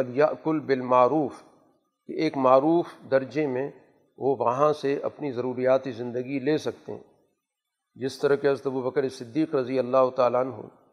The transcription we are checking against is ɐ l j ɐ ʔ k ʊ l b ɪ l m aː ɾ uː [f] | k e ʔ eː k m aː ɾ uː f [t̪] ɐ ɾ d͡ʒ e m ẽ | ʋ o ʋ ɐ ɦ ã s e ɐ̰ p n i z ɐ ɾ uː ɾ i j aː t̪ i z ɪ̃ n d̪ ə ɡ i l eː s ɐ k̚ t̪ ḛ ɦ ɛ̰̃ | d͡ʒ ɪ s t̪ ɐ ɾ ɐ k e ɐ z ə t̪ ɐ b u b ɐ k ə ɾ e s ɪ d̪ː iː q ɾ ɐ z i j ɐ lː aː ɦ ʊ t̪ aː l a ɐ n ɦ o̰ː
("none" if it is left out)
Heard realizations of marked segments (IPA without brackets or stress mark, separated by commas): f, d̪